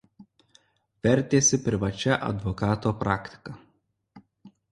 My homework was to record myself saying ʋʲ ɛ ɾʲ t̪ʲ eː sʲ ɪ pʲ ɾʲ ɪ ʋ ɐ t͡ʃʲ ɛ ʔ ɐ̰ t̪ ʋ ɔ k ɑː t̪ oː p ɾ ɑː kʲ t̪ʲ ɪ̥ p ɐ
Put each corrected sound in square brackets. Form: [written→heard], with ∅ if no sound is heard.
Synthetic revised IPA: ʋʲ ɛ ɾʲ t̪ʲ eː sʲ ɪ pʲ ɾʲ ɪ ʋ ɐ t͡ʃʲ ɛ ʔ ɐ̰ [t̪→d̪] ʋ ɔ k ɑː t̪ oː p ɾ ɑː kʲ t̪ʲ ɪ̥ [p→k] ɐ